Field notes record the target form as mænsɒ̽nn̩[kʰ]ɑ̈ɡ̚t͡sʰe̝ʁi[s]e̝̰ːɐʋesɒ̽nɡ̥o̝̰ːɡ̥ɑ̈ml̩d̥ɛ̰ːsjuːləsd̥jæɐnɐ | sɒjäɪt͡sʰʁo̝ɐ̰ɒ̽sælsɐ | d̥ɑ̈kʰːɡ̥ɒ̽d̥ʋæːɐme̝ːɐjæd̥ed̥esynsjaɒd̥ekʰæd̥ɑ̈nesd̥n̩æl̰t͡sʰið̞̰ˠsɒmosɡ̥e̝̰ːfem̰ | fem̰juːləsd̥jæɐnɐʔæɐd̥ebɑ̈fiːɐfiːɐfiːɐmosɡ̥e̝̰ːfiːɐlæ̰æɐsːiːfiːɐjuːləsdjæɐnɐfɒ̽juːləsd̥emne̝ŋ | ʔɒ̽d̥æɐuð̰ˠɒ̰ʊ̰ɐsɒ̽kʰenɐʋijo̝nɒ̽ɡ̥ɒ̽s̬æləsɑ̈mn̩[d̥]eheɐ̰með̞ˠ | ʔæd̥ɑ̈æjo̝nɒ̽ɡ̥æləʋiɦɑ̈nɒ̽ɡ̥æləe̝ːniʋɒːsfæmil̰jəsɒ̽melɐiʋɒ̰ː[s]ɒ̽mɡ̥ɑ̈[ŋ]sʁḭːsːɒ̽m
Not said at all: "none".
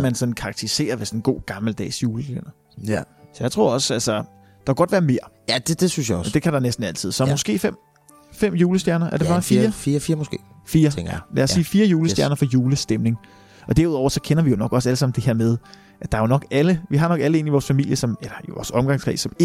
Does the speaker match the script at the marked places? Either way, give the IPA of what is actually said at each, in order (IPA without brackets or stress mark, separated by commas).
kʰ, s, d̥, s, ŋ